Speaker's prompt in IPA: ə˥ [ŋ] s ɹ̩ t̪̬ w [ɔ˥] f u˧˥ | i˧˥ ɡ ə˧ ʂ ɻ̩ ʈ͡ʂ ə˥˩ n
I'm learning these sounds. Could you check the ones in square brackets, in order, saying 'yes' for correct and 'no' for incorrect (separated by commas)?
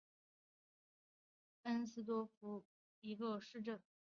no, yes